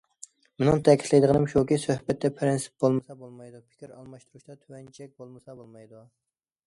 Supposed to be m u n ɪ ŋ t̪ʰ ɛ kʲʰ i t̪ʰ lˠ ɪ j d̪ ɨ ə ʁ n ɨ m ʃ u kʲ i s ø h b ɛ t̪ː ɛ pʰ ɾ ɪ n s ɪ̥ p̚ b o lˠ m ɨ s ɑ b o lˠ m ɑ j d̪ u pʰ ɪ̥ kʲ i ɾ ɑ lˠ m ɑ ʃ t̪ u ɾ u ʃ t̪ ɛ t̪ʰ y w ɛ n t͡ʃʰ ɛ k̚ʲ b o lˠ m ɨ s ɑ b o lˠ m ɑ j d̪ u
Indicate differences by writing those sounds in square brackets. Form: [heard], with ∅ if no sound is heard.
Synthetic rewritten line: m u n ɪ ŋ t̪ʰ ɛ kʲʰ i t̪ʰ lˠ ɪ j d̪ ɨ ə ʁ n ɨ m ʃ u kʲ i s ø h b ɛ t̪ː ɛ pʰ ɾ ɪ n s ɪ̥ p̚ b o lˠ m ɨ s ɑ b o lˠ m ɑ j d̪ u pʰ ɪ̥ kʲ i ɾ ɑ lˠ m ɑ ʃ t̪ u ɾ u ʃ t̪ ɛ t̪ʰ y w ɛ n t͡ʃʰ ɛ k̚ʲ b o lˠ m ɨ s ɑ b o lˠ m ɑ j d̪ u